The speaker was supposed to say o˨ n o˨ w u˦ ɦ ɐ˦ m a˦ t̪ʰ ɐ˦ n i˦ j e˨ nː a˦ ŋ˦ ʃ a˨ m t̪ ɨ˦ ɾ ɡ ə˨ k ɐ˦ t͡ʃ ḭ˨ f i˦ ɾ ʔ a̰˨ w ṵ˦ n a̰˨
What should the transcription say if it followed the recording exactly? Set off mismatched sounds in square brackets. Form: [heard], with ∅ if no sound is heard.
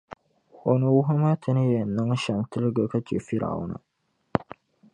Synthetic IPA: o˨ n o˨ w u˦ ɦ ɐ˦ m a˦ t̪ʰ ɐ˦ n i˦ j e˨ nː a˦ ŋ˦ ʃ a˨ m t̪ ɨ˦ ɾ ɡ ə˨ k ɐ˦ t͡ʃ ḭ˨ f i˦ ɾ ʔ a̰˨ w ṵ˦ n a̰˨